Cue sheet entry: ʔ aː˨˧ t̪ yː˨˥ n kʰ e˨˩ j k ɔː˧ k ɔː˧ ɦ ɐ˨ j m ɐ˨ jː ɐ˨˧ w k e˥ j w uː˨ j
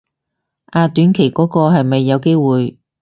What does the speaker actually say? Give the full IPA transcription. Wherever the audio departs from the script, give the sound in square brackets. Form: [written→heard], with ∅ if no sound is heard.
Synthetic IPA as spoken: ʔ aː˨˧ t̪ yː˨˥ n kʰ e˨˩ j k [ɔː˧→ɔː˨˥] k ɔː˧ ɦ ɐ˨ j m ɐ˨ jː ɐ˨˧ w k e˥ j w uː˨ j